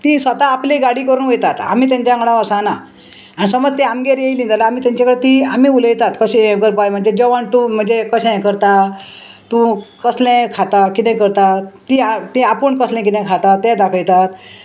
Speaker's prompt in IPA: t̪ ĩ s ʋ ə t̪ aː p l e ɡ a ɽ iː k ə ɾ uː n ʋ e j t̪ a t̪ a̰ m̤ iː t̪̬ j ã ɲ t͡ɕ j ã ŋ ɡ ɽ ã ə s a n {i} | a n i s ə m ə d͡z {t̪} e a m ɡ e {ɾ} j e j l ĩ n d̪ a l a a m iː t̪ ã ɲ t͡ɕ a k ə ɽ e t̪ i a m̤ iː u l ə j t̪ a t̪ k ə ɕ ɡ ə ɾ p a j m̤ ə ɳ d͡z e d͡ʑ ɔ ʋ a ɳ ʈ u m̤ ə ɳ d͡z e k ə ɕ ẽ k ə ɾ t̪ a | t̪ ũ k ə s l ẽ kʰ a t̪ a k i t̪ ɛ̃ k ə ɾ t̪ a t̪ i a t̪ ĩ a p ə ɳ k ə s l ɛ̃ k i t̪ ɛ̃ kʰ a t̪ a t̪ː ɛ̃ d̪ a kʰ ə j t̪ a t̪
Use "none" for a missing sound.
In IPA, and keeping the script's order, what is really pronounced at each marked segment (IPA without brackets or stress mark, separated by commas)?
a, t̪, ɾ